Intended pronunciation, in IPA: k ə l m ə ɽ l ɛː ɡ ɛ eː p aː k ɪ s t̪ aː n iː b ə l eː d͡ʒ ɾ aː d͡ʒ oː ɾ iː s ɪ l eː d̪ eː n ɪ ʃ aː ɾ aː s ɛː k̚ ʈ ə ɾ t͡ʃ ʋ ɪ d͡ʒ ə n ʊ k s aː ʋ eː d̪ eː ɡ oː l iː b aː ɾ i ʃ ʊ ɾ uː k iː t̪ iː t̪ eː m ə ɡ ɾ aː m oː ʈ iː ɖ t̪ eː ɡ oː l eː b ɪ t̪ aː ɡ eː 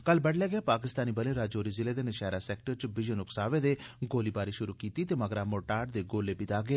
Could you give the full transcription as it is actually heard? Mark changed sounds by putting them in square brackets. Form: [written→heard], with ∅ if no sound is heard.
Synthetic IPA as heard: k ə l [m→b] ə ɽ l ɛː ɡ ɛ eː p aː k ɪ s t̪ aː n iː b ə l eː [d͡ʒ→∅] ɾ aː d͡ʒ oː ɾ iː [s→z] ɪ l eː d̪ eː n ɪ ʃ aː ɾ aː s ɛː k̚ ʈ ə ɾ t͡ʃ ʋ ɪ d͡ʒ ə n ʊ k s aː ʋ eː d̪ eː ɡ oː l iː b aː ɾ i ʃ ʊ ɾ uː k iː t̪ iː t̪ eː m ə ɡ ɾ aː m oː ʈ [iː→aː] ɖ [t̪→d̪] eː ɡ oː l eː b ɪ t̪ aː ɡ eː